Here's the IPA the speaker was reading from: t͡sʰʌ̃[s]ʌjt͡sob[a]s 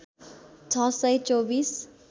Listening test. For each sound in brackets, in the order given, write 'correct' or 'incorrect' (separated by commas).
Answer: correct, incorrect